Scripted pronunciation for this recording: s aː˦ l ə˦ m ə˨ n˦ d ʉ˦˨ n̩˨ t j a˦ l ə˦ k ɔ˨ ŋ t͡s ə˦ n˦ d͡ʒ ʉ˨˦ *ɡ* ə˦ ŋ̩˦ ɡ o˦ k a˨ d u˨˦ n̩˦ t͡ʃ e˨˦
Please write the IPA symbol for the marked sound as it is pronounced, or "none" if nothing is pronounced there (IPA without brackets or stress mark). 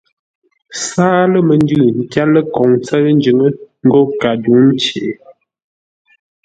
ŋ